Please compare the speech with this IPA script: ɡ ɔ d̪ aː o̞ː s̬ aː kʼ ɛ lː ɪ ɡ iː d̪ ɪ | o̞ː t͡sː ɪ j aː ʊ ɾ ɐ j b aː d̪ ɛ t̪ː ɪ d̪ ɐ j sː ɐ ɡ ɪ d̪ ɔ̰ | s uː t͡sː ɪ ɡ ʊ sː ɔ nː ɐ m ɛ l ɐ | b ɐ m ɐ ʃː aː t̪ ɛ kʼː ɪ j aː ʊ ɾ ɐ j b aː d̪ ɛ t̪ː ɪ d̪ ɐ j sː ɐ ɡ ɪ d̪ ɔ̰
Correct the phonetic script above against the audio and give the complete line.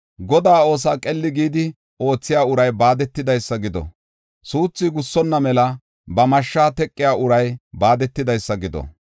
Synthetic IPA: ɡ ɔ d̪ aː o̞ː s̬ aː kʼ ɛ lː ɪ ɡ iː d̪ ɪ | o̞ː t͡sː ɪ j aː ʊ ɾ ɐ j b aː d̪ ɛ t̪ː ɪ d̪ ɐ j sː ɐ ɡ ɪ d̪ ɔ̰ | s uː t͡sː ɪ ɡ ʊ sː ɔ nː ɐ m ɛ l ɐ | b ɐ m ɐ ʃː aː t̪ ɛ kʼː ɪ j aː ʊ ɾ ɐ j b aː d̪ ɛ t̪ː ɪ d̪ ɐ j sː ɐ ɡ ɪ d̪ ɔ̰